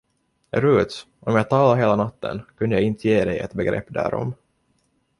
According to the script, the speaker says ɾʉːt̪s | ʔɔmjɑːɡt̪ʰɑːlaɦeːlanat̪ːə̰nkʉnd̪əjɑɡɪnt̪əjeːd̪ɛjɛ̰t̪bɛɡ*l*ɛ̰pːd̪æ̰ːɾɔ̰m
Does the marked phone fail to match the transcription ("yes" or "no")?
yes